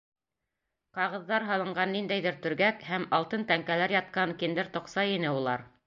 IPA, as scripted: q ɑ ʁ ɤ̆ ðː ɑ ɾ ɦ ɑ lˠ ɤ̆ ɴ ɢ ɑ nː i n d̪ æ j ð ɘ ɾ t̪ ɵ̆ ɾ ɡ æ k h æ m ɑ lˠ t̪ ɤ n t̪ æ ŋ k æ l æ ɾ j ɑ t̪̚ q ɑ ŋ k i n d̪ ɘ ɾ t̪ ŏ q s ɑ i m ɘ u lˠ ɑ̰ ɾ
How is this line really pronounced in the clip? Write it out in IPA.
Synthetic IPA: q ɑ ʁ ɤ̆ ðː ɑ ɾ ɦ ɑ lˠ ɤ̆ ɴ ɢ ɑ nː i n d̪ æ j ð ɘ ɾ t̪ ɵ̆ ɾ ɡ æ k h æ m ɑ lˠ t̪ ɤ n t̪ æ ŋ k æ l æ ɾ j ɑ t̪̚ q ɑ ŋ k i n d̪ ɘ ɾ t̪ ŏ q s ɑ i n ɘ u lˠ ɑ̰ ɾ